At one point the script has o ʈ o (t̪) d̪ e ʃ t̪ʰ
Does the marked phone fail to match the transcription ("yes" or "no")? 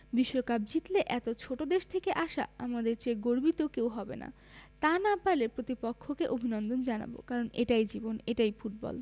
yes